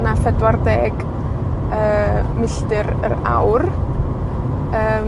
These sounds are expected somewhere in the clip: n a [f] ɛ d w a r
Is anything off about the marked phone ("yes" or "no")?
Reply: no